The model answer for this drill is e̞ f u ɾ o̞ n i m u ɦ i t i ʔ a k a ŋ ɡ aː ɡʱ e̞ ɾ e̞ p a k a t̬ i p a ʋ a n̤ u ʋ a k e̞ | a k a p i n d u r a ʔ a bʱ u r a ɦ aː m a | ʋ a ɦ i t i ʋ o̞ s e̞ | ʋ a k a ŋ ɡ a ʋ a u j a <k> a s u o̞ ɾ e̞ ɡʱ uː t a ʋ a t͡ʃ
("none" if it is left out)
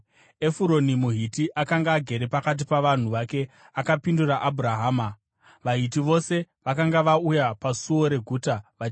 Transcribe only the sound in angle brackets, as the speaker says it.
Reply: p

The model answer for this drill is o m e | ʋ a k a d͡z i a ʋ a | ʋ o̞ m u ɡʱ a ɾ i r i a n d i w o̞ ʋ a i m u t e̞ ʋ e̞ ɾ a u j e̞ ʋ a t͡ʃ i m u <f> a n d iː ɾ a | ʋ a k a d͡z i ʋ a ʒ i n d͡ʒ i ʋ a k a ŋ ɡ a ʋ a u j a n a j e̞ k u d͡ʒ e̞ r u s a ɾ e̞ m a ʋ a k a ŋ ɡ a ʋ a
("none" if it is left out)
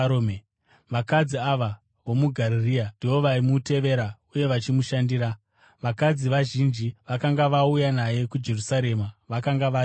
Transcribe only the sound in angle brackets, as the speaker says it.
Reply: ʃ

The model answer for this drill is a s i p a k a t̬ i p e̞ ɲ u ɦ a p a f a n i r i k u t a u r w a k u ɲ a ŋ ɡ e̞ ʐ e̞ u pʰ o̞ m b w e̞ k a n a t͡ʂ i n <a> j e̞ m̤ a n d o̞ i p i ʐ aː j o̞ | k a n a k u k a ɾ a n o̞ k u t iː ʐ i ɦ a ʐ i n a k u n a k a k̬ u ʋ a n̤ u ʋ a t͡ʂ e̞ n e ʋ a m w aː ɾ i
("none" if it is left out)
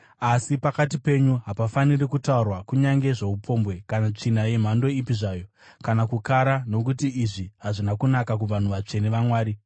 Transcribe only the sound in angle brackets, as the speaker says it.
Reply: a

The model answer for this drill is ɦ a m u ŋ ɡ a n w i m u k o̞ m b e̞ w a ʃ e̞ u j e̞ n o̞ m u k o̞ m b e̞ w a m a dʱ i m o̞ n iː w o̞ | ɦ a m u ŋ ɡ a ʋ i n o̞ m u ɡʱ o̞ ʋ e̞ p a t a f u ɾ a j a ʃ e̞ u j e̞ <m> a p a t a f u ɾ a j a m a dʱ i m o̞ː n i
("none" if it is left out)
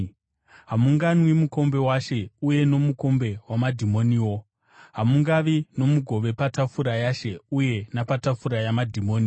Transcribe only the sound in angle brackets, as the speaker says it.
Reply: n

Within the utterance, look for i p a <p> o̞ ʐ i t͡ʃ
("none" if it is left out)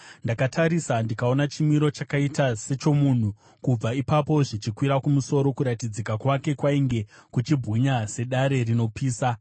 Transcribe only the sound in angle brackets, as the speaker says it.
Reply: p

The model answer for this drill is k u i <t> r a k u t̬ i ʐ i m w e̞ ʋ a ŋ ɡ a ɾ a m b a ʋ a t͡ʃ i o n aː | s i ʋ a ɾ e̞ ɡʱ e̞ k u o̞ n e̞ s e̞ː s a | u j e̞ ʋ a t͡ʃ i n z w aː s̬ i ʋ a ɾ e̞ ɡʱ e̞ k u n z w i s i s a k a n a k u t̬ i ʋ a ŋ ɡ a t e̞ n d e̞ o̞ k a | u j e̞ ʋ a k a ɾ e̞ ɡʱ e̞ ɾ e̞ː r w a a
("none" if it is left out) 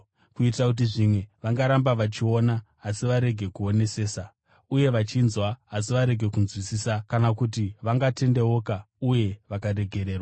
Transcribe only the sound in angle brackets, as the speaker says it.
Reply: t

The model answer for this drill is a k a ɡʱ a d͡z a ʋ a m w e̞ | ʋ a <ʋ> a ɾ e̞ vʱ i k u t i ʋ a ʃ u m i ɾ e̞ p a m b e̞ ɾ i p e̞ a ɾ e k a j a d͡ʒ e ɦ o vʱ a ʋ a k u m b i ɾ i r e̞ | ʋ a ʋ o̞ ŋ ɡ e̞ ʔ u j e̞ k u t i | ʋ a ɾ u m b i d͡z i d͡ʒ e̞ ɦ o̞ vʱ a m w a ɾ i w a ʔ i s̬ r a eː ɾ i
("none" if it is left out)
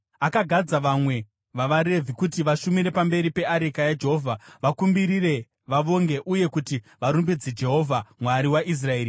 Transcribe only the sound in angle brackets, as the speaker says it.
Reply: ʋ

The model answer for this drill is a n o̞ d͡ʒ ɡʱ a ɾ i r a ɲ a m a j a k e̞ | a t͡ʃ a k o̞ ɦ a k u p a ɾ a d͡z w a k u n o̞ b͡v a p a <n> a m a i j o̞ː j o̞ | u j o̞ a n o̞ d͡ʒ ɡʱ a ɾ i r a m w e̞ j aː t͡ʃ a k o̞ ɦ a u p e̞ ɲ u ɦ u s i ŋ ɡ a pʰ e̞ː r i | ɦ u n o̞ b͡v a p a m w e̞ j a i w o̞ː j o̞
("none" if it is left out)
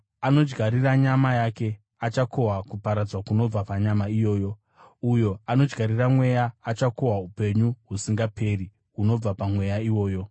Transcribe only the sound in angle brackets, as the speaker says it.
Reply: ɲ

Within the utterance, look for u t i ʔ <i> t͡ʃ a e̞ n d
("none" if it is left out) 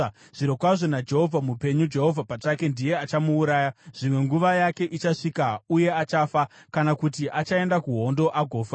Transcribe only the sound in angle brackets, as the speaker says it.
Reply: a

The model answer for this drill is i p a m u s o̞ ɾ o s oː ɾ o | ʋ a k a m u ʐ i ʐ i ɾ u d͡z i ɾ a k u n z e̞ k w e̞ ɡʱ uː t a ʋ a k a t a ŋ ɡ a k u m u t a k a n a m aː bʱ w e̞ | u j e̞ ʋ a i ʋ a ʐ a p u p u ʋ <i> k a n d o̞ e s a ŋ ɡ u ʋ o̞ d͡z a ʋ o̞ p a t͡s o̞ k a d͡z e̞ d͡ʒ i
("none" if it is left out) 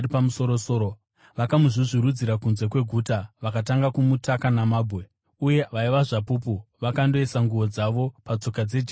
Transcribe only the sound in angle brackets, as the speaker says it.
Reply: a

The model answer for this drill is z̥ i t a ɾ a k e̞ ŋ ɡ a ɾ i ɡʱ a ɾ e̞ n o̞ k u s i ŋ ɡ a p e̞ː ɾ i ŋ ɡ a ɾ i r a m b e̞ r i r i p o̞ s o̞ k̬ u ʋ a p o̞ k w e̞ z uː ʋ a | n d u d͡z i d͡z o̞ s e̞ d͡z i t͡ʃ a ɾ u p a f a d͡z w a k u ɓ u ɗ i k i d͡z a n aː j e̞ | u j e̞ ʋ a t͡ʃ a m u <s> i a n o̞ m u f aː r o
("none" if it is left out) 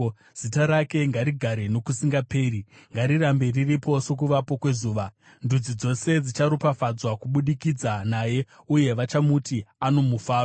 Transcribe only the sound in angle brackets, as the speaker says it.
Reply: t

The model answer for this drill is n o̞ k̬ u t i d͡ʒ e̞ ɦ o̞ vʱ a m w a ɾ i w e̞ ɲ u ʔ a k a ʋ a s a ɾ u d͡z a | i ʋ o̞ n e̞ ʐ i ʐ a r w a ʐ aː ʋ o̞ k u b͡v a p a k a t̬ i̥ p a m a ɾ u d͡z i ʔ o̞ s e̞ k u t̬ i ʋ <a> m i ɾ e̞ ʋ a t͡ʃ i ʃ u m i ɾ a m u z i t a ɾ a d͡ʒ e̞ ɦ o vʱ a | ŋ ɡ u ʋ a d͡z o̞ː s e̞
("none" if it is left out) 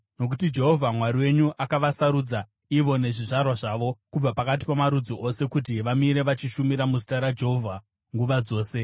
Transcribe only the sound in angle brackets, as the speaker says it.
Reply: a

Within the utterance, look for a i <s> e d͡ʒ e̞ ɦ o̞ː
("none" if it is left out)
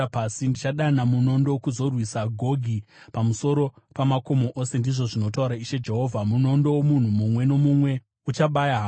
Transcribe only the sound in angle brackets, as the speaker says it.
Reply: ʃ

